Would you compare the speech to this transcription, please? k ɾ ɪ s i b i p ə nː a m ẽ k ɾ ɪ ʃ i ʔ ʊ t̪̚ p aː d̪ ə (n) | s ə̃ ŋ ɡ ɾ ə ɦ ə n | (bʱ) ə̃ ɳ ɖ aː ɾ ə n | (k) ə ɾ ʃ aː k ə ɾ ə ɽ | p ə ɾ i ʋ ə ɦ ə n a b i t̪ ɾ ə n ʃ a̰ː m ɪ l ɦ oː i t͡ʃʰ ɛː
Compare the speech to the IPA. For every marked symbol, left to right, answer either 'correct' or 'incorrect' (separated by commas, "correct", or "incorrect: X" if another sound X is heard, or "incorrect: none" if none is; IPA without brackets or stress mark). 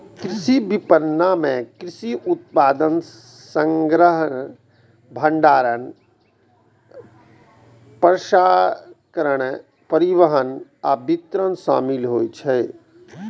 correct, correct, incorrect: p